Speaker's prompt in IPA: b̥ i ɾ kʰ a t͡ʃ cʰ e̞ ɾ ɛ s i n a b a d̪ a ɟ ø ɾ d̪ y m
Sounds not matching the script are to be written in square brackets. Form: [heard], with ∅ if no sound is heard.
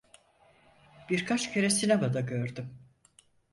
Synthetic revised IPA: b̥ i ɾ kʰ a t͡ʃ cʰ e̞ ɾ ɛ s i n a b a d̪ a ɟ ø ɾ d̪ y m

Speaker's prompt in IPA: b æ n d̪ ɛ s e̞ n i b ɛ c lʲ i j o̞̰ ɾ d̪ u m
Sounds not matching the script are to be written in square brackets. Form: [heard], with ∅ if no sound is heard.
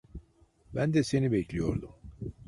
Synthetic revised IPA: b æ n d̪ ɛ s e̞ n i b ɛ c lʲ i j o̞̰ ɾ d̪ u m

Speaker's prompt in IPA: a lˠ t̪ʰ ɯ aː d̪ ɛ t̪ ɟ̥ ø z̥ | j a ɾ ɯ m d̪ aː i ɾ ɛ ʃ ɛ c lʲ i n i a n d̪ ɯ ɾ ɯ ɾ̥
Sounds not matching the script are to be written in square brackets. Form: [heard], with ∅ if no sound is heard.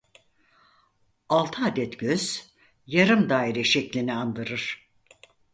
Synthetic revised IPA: a lˠ t̪ʰ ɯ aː d̪ ɛ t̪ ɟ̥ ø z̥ | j a ɾ ɯ m d̪ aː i ɾ ɛ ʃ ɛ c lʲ i n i a n d̪ ɯ ɾ ɯ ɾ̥

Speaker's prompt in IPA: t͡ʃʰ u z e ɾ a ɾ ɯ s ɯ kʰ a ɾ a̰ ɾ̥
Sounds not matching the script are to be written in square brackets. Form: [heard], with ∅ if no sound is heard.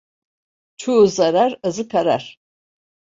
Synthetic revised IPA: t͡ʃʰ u z [a] ɾ a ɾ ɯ [z] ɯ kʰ a ɾ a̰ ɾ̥

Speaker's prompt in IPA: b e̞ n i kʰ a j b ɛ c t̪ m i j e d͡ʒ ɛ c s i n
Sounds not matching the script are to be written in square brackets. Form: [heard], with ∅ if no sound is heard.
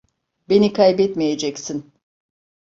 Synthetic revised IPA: b e̞ n i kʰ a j b ɛ [∅] t̪ m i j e d͡ʒ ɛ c s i n

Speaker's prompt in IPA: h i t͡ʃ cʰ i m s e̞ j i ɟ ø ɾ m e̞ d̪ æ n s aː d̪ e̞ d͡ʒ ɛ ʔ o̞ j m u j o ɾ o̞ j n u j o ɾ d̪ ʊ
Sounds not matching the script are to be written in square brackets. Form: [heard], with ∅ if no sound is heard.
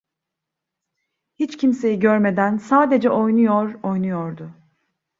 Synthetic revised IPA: h i t͡ʃ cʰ i m s e̞ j i ɟ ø ɾ m e̞ d̪ æ n s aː d̪ e̞ d͡ʒ ɛ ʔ o̞ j [n] u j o ɾ o̞ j n u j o ɾ d̪ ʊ

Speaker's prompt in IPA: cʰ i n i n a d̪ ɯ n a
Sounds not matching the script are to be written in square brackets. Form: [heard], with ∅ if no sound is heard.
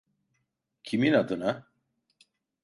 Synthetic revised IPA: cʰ i [m] i n a d̪ ɯ n a

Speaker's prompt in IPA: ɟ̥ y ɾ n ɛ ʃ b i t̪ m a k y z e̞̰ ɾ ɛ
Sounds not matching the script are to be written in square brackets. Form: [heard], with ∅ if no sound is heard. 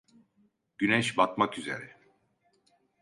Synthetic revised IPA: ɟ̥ y [∅] n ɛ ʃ b [a] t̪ m a k y z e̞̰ ɾ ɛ

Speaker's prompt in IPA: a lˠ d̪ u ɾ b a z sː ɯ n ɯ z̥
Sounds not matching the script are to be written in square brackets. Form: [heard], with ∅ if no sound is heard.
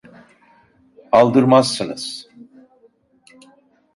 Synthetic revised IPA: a lˠ d̪ [ɯ] ɾ [m] a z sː ɯ n ɯ z̥

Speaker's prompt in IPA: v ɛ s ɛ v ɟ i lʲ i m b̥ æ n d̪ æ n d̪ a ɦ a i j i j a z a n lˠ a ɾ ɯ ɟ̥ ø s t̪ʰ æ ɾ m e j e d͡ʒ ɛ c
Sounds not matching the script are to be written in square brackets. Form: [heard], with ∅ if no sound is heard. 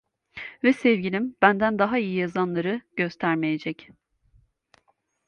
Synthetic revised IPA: v ɛ s ɛ v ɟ i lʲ i m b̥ æ n d̪ æ n d̪ a ɦ a i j i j a z a n lˠ a ɾ ɯ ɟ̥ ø s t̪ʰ æ ɾ m e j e d͡ʒ ɛ c

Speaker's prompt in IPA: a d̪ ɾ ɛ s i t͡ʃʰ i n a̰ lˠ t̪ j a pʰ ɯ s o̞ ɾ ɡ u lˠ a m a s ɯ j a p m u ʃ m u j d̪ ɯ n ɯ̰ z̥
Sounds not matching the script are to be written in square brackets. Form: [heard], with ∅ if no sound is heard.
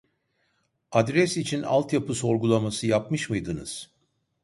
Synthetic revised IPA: a d̪ ɾ ɛ s i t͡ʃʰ i n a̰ lˠ t̪ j a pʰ ɯ s o̞ ɾ ɡ u lˠ a m a s ɯ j a p m [ɯ] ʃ m [ɯ] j d̪ ɯ n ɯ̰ z̥

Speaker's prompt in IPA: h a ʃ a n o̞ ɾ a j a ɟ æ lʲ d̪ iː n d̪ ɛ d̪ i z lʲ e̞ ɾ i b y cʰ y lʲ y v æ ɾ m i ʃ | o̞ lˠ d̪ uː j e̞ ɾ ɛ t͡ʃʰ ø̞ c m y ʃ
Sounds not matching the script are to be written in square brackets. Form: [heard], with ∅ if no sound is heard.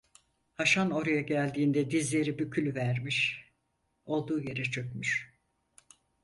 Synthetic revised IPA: h a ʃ a n o̞ ɾ a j a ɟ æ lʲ d̪ iː n d̪ ɛ d̪ i z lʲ e̞ ɾ i b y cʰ y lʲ y v æ ɾ m i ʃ | o̞ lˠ d̪ uː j e̞ ɾ ɛ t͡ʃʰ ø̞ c m y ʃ

